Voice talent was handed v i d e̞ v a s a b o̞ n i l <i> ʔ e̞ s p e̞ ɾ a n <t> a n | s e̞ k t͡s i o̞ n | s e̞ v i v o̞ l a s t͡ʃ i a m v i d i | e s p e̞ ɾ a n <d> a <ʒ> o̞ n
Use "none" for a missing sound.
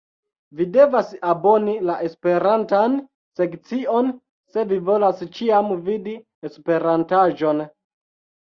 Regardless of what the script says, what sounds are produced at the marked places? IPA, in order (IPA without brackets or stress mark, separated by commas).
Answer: a, t, t, ʒ